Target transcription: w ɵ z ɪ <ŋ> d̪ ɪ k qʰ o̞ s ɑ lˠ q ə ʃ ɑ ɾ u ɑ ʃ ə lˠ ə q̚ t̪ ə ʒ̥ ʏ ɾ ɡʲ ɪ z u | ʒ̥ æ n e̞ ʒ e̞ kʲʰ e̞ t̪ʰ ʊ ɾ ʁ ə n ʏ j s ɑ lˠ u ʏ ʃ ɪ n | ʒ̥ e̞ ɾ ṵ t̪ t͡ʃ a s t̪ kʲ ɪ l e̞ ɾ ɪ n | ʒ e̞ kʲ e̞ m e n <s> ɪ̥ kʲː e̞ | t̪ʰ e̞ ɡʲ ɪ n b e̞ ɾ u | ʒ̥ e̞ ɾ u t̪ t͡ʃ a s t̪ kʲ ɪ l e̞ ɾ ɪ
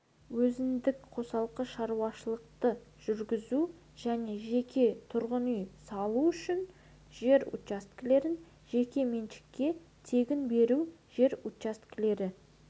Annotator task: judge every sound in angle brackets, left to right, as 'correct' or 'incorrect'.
incorrect: n, incorrect: ʃ

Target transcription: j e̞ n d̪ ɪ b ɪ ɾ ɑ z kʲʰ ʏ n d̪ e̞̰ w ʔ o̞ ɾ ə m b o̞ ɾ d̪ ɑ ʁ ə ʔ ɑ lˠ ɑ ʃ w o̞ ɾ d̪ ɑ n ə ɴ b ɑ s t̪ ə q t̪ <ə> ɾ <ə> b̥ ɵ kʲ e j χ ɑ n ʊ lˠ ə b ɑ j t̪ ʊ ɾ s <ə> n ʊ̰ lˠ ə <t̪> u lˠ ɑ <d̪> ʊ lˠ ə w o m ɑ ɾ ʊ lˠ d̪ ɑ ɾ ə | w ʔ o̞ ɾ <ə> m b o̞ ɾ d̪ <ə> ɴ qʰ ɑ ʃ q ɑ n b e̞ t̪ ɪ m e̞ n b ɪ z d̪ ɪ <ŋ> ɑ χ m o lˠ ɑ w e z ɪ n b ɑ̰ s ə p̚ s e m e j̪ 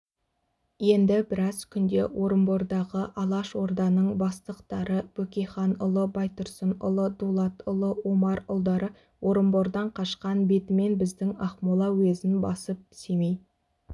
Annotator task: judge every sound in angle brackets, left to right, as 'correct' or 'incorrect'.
incorrect: ɑ, correct, correct, incorrect: d̪, incorrect: t̪, correct, incorrect: ɑ, correct

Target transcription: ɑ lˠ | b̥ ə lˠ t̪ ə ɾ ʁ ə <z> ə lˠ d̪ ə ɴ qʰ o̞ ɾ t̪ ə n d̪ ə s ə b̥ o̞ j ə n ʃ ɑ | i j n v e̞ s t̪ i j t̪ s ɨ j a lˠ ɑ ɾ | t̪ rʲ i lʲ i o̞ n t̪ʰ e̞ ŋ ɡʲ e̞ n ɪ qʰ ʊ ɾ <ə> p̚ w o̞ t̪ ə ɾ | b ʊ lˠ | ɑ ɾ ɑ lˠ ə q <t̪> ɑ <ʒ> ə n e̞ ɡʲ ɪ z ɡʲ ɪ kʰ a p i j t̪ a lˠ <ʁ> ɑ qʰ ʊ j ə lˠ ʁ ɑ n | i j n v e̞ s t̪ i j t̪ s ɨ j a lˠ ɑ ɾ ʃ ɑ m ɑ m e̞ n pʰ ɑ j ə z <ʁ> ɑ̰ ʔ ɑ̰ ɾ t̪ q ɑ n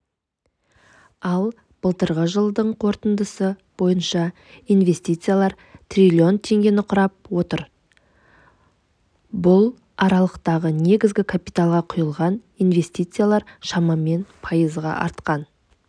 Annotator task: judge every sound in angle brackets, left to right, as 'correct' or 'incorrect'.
incorrect: ʒ, incorrect: ɑ, correct, incorrect: ʁ, correct, correct

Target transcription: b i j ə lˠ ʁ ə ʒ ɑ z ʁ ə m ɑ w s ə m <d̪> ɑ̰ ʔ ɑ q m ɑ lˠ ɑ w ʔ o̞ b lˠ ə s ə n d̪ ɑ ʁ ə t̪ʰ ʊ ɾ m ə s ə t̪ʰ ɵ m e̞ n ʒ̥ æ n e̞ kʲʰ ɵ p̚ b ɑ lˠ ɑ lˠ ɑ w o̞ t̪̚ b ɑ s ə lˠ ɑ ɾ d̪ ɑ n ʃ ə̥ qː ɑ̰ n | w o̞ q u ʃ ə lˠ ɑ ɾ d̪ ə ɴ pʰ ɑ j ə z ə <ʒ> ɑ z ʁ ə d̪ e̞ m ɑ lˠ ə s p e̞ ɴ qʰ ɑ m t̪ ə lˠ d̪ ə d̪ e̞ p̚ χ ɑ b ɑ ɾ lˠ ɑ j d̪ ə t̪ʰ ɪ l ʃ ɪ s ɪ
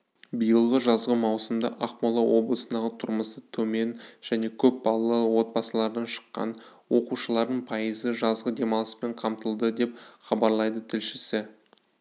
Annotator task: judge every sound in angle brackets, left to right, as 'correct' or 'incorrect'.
correct, correct

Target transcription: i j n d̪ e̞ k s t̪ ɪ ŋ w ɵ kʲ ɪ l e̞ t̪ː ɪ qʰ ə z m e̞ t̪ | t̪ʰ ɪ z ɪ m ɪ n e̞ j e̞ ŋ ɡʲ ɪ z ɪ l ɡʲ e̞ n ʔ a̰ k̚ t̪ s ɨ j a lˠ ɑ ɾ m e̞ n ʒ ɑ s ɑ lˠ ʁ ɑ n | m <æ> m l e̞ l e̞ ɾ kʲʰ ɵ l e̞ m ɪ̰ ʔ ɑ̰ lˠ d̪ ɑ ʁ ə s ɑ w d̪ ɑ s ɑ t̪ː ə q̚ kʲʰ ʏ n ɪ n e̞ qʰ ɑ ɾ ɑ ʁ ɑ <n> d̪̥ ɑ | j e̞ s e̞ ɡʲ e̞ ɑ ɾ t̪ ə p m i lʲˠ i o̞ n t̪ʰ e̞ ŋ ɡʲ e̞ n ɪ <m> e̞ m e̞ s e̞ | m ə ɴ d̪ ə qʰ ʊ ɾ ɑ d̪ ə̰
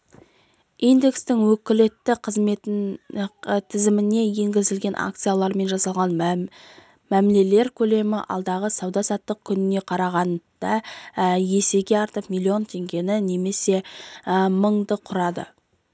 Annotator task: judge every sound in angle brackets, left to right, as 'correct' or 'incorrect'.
correct, correct, incorrect: n

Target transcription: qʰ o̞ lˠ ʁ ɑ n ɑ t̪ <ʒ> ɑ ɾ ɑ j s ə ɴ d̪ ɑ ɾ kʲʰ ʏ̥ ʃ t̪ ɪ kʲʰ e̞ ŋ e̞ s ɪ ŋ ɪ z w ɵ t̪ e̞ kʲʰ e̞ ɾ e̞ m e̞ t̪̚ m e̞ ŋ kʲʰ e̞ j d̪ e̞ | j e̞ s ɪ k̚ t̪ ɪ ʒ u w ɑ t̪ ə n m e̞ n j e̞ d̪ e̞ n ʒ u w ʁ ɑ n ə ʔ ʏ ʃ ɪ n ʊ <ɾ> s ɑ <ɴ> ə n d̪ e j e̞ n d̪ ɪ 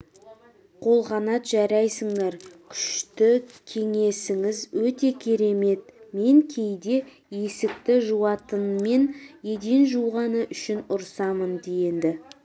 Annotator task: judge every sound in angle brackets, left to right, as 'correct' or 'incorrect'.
correct, correct, incorrect: m

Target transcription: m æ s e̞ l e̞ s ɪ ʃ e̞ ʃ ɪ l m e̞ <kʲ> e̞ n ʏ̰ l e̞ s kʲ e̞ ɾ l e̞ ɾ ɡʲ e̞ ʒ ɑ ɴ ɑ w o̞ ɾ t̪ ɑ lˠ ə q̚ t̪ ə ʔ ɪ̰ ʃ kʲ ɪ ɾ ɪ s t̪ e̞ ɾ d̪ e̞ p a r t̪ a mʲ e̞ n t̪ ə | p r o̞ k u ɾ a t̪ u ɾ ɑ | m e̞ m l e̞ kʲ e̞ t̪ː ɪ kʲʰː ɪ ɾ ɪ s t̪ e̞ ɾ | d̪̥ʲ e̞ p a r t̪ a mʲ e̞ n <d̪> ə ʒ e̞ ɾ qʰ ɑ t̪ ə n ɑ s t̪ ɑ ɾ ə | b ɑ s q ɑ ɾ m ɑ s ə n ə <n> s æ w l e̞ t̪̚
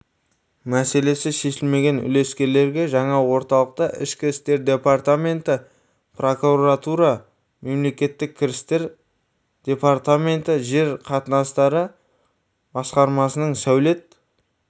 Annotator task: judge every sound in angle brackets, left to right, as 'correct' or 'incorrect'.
incorrect: ɡʲ, incorrect: t̪, incorrect: ɴ

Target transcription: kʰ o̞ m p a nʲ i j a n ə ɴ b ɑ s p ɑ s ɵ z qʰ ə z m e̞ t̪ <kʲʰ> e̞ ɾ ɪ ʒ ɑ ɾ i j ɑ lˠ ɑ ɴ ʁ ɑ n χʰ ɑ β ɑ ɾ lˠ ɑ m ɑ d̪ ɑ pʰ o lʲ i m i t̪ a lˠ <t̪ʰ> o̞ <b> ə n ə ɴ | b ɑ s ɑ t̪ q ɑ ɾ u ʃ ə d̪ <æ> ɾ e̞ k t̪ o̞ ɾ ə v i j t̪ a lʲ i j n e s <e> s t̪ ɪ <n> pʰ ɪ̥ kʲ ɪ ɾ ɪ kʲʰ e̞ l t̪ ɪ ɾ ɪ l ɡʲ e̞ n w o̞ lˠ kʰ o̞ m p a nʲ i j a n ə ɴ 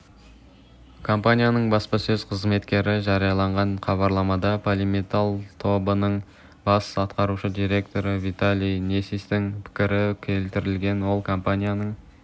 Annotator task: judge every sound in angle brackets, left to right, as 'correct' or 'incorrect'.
incorrect: kʲ, correct, correct, incorrect: i, incorrect: i, incorrect: ŋ

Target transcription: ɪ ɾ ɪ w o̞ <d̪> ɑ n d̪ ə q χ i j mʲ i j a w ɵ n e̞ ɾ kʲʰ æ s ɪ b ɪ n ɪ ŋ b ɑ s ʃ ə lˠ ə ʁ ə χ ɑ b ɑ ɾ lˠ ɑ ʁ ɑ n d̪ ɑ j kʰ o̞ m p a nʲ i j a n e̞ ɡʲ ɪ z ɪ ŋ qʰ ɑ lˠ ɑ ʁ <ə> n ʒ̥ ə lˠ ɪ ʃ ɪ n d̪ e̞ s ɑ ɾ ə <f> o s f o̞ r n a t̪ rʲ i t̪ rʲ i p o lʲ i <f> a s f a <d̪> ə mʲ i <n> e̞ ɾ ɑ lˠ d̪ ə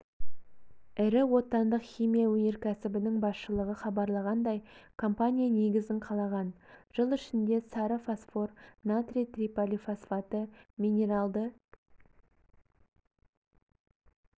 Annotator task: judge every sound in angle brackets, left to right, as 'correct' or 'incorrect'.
incorrect: t̪, incorrect: ɑ, correct, correct, incorrect: t̪, correct

